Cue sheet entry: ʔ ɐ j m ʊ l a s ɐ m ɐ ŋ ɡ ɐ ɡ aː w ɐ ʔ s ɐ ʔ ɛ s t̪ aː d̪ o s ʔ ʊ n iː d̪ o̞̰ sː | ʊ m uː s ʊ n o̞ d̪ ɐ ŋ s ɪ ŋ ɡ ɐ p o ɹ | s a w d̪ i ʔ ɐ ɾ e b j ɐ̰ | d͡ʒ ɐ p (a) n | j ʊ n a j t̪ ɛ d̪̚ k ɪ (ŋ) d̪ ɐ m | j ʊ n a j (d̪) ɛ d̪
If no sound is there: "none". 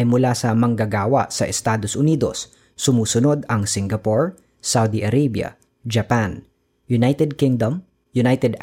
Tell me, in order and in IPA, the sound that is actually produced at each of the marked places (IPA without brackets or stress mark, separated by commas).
a, ŋ, t̪